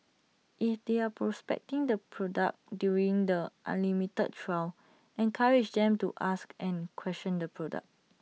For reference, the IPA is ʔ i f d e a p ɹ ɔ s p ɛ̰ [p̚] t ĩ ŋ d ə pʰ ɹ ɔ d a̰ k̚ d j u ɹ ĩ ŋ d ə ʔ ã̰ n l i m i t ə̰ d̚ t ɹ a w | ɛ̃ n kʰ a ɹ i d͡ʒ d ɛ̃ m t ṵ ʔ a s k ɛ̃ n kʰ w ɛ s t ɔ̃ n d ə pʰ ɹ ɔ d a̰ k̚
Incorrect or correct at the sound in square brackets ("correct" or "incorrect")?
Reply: incorrect